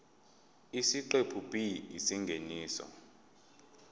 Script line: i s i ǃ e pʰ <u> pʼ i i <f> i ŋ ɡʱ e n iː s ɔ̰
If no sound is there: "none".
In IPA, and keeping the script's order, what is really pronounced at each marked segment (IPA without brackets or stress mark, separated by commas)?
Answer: u, s